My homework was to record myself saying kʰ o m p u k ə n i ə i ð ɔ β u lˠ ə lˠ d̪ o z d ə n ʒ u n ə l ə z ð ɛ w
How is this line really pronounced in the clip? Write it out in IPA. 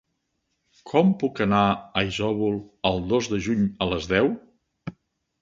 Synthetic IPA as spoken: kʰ ɔ m p u k ə n a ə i z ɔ β u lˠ ə lˠ d̪ o z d ə ʒ u ɲ ə l ə z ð ɛ w